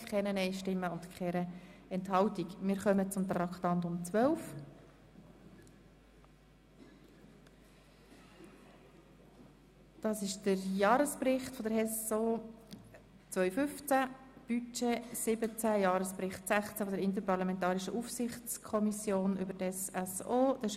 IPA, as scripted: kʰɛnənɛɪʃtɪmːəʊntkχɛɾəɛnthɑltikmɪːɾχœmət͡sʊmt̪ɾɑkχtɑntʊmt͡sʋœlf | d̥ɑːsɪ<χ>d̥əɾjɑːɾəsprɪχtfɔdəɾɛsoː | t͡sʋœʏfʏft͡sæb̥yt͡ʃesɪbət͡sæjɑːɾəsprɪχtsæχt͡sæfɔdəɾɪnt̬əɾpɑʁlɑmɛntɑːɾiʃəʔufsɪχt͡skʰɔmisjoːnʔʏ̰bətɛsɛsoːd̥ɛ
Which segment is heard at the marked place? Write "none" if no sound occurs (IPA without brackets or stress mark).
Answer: ʃ